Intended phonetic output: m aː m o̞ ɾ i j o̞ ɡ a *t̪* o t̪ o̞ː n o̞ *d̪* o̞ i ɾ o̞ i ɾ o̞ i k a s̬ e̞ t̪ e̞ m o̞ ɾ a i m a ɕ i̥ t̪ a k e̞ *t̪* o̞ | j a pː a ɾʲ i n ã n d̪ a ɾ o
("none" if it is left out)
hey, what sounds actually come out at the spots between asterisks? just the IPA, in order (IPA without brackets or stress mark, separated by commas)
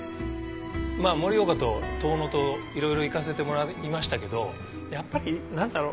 t̪, t̪, d̪